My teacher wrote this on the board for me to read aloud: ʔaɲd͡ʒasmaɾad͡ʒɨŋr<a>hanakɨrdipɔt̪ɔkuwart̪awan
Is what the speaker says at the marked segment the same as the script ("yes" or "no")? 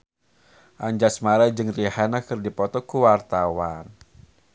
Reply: no